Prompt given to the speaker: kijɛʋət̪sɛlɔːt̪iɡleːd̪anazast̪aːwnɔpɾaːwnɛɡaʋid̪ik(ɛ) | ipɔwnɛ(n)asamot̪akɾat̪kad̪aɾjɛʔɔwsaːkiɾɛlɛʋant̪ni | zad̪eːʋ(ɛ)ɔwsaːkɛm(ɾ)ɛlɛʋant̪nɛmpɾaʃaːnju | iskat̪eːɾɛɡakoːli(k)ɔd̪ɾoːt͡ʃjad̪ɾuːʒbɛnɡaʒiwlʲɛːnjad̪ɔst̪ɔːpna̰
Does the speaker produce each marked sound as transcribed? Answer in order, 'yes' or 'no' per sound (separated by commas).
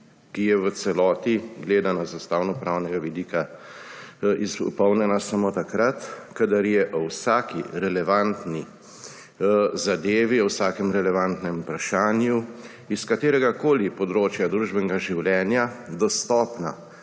no, yes, no, yes, no